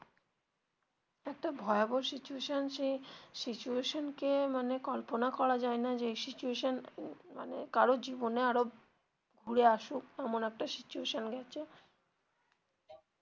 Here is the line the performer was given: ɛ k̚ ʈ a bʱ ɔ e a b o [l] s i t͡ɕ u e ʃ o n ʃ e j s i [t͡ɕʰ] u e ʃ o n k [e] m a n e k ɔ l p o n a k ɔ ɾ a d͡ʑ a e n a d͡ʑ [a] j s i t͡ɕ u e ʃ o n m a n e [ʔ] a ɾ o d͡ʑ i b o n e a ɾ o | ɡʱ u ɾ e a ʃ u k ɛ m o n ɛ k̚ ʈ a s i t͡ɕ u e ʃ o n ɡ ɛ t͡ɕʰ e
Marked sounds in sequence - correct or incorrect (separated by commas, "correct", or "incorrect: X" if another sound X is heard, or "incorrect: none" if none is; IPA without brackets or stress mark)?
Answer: incorrect: ɾ, incorrect: t͡ɕ, correct, incorrect: e, incorrect: k